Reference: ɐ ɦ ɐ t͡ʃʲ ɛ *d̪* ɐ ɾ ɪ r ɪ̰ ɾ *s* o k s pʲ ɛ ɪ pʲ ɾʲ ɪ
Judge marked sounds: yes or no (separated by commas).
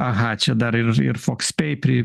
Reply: yes, no